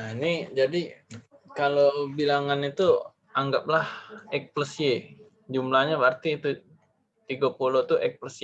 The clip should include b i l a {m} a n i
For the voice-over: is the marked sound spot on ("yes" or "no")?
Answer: no